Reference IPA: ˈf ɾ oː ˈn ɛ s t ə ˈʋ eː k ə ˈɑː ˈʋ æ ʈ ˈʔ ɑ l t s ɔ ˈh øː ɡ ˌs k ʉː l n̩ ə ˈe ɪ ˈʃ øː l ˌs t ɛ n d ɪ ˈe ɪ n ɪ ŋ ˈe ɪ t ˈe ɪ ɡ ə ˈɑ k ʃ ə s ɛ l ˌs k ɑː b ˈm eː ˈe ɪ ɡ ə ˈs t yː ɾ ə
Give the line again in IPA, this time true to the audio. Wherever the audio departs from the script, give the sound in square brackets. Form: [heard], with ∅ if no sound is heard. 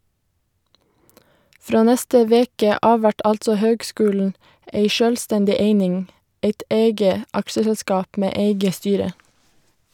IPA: ˈf ɾ oː ˈn ɛ s t ə ˈʋ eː k ə ˈɑː ˈʋ æ ʈ ˈʔ ɑ l t s ɔ ˈh øː ɡ ˌs k ʉː l n̩ ə ˈe ɪ ˈʃ øː l ˌs t ɛ n d ɪ ˈe ɪ n ɪ ŋ ˈe ɪ t ˈe ɪ ɡ ə ˈɑ k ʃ ə s ɛ l ˌs k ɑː [p] ˈm eː ˈe ɪ ɡ ə ˈs t yː ɾ ə